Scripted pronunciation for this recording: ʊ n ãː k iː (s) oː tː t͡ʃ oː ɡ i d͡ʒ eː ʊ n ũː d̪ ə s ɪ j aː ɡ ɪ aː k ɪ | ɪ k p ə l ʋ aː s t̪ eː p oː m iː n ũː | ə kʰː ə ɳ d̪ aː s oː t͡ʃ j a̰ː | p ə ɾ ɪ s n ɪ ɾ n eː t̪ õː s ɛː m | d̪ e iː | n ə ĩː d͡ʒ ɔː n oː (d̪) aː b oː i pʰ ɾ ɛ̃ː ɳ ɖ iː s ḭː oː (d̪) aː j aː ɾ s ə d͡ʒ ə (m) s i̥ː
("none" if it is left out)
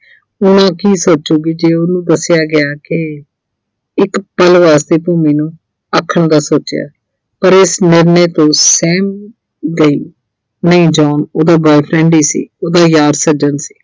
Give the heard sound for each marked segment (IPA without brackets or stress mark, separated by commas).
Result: s, d̪, d̪, n